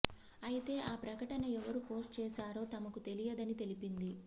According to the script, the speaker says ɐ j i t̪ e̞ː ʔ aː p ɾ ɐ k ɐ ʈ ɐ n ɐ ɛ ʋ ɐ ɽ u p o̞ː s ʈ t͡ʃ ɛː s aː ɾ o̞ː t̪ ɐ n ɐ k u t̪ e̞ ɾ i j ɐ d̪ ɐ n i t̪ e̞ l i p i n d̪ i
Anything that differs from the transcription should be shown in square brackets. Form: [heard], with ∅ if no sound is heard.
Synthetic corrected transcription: ɐ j i t̪ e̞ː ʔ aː p ɾ ɐ k ɐ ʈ ɐ n ɐ ɛ ʋ ɐ [ɾ] u p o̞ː s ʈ t͡ʃ ɛː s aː ɾ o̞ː t̪ ɐ [m] ɐ k u t̪ e̞ [l] i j ɐ d̪ ɐ n i t̪ e̞ l i p i n d̪ i